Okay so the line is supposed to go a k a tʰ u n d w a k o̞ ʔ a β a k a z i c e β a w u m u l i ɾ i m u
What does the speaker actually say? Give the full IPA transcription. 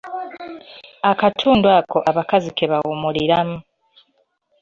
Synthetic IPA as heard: a k a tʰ uː n d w a k o̞ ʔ a β a k a z i k e β a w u m u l i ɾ a m u